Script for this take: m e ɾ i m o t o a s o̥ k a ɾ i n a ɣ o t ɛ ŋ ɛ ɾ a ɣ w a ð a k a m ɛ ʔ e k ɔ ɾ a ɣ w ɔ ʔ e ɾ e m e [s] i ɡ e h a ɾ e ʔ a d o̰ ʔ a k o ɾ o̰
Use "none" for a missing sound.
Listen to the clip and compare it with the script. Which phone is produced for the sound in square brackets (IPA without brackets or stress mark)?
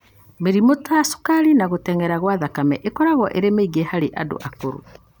none